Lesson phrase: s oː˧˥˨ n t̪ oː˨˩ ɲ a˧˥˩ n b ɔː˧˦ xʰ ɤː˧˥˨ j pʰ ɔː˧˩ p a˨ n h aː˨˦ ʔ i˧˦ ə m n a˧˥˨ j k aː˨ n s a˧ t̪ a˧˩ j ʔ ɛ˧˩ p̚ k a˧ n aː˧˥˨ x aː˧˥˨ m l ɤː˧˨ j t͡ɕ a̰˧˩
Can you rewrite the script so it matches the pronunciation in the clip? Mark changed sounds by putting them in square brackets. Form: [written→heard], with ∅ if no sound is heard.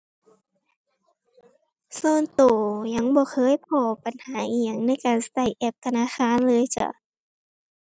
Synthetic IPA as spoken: s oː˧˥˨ n t̪ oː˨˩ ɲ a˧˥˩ [n→ŋ] b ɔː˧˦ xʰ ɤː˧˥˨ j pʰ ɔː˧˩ p a˨ n h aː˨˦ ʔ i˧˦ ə [m→ŋ] n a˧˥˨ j k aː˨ n s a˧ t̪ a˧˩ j ʔ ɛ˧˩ p̚ k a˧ n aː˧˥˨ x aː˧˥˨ [m→n] l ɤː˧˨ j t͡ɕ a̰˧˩